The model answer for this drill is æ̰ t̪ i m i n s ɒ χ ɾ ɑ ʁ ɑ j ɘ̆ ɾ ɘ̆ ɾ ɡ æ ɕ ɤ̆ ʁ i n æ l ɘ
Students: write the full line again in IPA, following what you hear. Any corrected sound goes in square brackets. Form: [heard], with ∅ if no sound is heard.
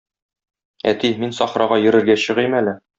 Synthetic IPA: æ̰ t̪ i m i n s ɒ χ ɾ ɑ ʁ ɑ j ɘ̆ ɾ ɘ̆ ɾ ɡ æ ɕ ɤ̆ ʁ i [m] æ l ɘ